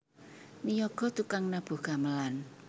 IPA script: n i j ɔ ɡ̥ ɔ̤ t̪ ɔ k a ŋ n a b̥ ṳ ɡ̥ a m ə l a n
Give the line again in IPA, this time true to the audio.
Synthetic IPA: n i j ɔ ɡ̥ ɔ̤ t̪ u k a ŋ n a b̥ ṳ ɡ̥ a m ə l a n